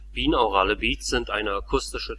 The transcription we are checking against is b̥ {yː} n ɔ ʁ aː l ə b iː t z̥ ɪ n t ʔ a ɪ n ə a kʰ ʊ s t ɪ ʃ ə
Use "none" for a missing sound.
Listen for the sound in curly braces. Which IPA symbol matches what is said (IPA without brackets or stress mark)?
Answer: iː